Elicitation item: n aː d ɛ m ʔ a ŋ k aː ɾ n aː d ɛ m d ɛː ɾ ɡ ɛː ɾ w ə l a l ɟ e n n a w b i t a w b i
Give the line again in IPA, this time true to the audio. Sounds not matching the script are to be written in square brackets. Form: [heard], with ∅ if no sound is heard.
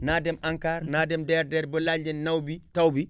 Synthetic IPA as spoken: n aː d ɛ m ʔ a ŋ k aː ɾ n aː d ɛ m d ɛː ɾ [d] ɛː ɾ [b] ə l a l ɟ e n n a w b i t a w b i